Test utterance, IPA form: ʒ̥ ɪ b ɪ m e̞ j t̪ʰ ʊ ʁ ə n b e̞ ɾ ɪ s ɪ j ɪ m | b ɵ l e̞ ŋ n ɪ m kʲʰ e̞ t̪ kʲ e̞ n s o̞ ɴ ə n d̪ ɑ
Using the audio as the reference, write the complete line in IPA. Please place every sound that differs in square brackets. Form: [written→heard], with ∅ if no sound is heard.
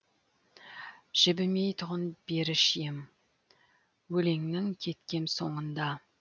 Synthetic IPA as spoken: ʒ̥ ɪ b ɪ m e̞ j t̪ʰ ʊ ʁ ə n b e̞ ɾ ɪ [s→ʃ] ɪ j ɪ m | [b→w] ɵ l e̞ ŋ n ɪ [m→ŋ] kʲʰ e̞ t̪ kʲ e̞ n s o̞ ɴ ə n d̪ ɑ

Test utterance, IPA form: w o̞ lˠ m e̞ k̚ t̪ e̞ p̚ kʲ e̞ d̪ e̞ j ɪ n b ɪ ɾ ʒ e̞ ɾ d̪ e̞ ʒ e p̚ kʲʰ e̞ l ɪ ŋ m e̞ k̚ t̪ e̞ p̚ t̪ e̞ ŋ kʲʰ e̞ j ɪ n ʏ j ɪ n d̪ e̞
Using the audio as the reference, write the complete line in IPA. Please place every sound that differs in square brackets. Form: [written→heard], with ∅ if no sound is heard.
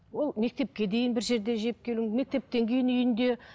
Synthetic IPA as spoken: w o̞ lˠ m e̞ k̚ t̪ e̞ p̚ kʲ e̞ d̪ e̞ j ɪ n b ɪ ɾ ʒ e̞ ɾ d̪ e̞ ʒ e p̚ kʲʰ e̞ l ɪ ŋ m e̞ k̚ t̪ e̞ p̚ t̪ e̞ ŋ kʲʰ e̞ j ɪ n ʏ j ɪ n d̪ e̞

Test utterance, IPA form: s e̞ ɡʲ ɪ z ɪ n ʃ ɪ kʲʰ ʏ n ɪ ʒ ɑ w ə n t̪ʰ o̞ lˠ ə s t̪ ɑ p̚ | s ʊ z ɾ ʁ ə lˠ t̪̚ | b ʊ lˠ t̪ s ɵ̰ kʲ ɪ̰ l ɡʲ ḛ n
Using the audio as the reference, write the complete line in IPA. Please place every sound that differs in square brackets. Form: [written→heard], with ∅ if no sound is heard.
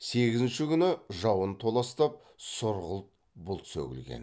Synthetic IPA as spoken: s e̞ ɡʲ ɪ z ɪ n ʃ ɪ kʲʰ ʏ n ɪ ʒ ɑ w ə n t̪ʰ o̞ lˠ [ə→ɑ] s t̪ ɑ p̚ | s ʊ [z→∅] ɾ ʁ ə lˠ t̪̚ | b ʊ lˠ t̪ s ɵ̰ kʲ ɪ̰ l ɡʲ ḛ n

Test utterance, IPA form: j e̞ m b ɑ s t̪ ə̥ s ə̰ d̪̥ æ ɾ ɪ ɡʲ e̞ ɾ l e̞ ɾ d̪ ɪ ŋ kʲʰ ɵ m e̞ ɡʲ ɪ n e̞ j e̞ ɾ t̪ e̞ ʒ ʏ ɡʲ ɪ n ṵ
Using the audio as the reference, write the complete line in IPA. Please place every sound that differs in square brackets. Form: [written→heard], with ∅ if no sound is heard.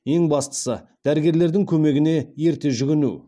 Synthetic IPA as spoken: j e̞ [m→ŋ] b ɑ s t̪ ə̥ s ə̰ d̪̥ æ ɾ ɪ ɡʲ e̞ ɾ l e̞ ɾ d̪ ɪ ŋ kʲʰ ɵ m e̞ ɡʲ ɪ n e̞ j e̞ ɾ t̪ e̞ ʒ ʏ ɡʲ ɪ n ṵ

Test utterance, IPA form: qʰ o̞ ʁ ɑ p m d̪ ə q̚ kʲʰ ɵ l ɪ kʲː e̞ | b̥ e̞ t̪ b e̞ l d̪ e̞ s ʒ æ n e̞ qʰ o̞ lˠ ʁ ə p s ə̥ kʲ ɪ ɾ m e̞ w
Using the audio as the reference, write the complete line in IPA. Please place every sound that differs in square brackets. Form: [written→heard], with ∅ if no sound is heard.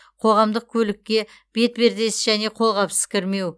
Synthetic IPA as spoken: qʰ o̞ ʁ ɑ [p→∅] m d̪ ə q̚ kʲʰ ɵ l ɪ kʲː e̞ | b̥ e̞ t̪ b e̞ [l→ɾ] d̪ e̞ s ʒ æ n e̞ qʰ o̞ lˠ ʁ [ə→ɑ] p s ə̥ kʲ ɪ ɾ m e̞ w

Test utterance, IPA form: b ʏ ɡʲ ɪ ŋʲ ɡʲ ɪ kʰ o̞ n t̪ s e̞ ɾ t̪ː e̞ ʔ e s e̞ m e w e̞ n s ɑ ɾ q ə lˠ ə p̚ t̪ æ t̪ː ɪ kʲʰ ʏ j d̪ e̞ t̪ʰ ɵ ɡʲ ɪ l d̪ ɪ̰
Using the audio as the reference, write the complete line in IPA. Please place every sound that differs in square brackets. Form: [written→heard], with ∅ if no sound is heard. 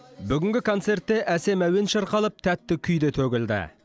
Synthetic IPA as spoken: b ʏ ɡʲ ɪ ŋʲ ɡʲ ɪ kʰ o̞ n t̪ s e̞ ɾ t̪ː e̞ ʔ [e→æ] s e̞ m [e→æ] w e̞ n [s→ʃ] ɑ ɾ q [ə→ɑ] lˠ ə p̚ [t̪→t̪ʰ] æ t̪ː ɪ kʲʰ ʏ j d̪ e̞ t̪ʰ ɵ ɡʲ ɪ l d̪ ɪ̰

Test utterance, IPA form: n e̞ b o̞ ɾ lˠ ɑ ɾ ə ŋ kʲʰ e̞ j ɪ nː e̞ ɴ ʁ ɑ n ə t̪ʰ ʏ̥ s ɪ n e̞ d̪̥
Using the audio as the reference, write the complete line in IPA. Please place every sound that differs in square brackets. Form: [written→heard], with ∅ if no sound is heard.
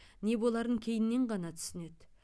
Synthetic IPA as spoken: n e̞ b o̞ [ɾ→∅] lˠ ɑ ɾ ə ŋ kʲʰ e̞ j ɪ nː e̞ ɴ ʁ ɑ n [ə→ɑ] t̪ʰ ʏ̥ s ɪ n e̞ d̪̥

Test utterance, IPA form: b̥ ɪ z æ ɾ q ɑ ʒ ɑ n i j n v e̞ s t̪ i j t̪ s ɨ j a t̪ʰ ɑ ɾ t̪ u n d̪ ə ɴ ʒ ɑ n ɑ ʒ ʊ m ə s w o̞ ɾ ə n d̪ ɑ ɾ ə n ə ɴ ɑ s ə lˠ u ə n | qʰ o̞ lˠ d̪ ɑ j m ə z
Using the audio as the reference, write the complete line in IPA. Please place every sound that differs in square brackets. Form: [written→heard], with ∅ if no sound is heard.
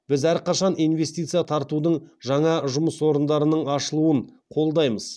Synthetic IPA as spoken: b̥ ɪ z æ ɾ q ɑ [ʒ→ʃ] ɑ n i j n v e̞ s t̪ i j t̪ s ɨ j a t̪ʰ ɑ ɾ t̪ u [n→∅] d̪ ə ɴ ʒ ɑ [n→ɴ] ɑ ʒ ʊ m ə s w o̞ ɾ ə n d̪ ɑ ɾ ə n ə ɴ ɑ [s→ʃ] ə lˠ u ə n | qʰ o̞ lˠ d̪ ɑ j m ə z

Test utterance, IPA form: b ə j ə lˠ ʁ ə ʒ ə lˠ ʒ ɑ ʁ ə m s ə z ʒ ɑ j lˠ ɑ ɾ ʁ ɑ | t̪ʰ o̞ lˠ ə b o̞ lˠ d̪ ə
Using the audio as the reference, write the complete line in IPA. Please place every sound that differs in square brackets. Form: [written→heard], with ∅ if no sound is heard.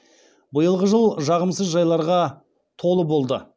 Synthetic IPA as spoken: b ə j ə lˠ ʁ ə ʒ ə lˠ ʒ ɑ ʁ ə m s ə z ʒ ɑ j lˠ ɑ ɾ ʁ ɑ | t̪ʰ o̞ lˠ ə b o̞ lˠ d̪ ə

